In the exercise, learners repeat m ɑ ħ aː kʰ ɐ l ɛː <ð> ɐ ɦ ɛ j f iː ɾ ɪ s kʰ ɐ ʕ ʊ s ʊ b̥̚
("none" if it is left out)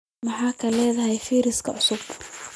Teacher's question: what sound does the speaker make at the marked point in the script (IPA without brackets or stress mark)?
ð